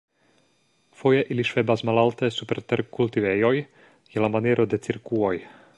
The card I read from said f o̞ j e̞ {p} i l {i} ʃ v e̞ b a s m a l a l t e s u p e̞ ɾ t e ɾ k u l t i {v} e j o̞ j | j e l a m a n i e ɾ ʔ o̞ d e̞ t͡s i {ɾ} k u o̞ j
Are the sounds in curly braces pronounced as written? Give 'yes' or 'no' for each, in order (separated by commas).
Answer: no, yes, yes, yes